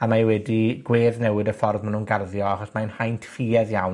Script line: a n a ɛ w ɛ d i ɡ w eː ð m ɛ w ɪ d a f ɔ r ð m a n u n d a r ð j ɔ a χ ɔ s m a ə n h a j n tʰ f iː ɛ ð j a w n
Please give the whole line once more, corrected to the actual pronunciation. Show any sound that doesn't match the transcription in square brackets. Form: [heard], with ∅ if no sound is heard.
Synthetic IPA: a [m] a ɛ w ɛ d i ɡ w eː ð [n] ɛ w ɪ d [ə] f ɔ r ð m a n u n [ɡ] a r ð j ɔ a χ ɔ s m a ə n h a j n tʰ f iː ɛ ð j a w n